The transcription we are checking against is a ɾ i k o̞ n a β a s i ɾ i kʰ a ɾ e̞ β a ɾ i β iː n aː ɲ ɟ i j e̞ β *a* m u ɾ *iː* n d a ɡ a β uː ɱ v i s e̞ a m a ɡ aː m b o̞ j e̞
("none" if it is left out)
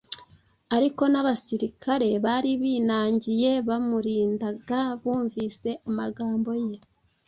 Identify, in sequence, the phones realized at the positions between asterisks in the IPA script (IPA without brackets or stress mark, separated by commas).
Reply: a, iː